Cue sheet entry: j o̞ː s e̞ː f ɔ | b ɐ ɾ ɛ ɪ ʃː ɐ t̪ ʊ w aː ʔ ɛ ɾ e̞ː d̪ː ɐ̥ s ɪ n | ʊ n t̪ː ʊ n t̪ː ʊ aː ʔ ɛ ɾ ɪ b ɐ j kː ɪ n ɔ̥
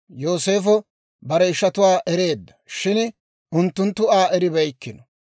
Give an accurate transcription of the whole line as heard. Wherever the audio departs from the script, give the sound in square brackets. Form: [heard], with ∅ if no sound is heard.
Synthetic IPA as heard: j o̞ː s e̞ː f ɔ | b ɐ ɾ ɛ ɪ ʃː ɐ t̪ ʊ w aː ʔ ɛ ɾ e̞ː d̪ː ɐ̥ [ʃ] ɪ n | ʊ n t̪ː ʊ n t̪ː ʊ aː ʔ ɛ ɾ ɪ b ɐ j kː ɪ n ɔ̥